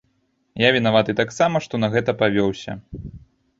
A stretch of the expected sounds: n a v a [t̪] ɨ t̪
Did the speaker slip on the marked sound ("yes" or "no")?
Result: no